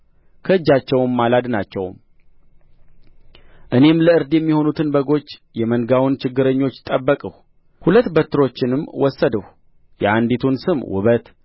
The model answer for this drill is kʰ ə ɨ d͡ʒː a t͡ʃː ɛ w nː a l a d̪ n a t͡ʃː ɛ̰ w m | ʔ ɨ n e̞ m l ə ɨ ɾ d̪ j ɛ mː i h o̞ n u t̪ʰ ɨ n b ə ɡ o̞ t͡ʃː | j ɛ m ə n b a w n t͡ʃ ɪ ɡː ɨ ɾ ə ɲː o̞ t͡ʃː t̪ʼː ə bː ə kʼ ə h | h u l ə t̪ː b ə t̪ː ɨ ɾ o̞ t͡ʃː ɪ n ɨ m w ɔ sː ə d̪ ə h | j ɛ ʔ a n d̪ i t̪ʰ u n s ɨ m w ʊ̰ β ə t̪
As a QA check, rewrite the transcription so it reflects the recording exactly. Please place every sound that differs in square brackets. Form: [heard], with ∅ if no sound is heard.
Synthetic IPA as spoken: kʰ ə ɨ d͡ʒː a t͡ʃː ɛ w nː a l a d̪ n a t͡ʃː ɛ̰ w m | ʔ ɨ n e̞ m l ə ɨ ɾ d̪ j ɛ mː i h o̞ n u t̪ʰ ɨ n b ə ɡ o̞ t͡ʃː | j ɛ m ə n [ɡ] a w n t͡ʃ ɪ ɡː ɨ ɾ ə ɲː o̞ t͡ʃː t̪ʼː ə bː ə kʼ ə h | h u l ə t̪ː b ə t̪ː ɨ ɾ o̞ t͡ʃː ɪ n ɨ m w ɔ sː ə d̪ ə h | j ɛ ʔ a n d̪ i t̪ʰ u n s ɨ m w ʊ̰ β ə t̪